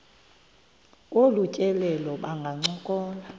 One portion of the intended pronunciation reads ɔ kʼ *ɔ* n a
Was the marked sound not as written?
yes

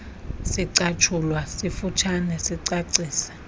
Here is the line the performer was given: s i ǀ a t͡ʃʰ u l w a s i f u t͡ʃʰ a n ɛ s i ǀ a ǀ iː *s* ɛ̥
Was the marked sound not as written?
no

